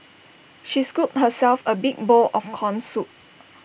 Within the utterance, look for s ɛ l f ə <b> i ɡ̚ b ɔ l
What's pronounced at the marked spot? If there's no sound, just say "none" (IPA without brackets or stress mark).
b